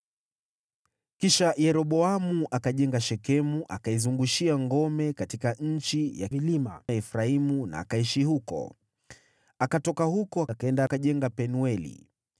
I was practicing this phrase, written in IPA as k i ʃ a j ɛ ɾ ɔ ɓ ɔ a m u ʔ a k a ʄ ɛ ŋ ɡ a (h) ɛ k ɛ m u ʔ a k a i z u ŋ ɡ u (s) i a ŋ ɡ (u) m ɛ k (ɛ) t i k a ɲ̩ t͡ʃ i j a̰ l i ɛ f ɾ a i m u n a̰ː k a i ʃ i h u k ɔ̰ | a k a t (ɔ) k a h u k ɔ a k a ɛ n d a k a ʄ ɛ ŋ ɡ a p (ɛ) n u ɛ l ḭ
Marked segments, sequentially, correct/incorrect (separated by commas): incorrect, incorrect, incorrect, incorrect, correct, correct